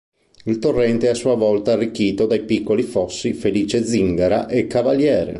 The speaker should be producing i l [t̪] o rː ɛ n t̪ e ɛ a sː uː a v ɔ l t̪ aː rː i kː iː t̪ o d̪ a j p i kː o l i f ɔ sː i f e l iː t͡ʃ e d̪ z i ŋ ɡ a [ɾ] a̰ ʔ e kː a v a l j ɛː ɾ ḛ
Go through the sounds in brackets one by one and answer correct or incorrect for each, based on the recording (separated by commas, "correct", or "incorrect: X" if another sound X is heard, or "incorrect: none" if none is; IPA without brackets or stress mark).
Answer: correct, correct